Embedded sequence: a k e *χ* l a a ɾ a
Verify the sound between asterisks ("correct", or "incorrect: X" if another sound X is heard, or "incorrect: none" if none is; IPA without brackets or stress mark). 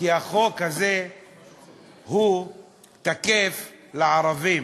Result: incorrect: f